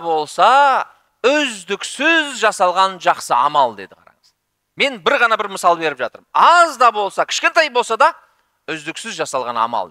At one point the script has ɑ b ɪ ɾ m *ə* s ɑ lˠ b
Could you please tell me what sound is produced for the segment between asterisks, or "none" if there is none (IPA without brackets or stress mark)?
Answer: ə